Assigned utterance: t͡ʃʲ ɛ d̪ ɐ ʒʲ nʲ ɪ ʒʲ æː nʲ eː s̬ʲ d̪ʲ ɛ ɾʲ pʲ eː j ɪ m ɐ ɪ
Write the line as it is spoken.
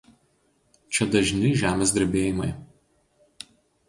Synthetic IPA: t͡ʃʲ ɛ d̪ ɐ ʒʲ nʲ ɪ ʒʲ æː mʲ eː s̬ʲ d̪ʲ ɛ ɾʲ bʲ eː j ɪ m ɐ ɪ